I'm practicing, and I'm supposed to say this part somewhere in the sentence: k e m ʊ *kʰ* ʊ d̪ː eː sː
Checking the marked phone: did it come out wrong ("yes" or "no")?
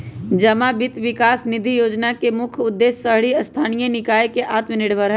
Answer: no